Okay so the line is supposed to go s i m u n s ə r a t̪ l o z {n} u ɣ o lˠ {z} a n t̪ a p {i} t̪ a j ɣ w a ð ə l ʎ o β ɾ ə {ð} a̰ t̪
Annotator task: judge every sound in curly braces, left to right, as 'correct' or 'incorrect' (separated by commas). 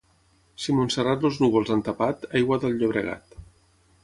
correct, correct, incorrect, incorrect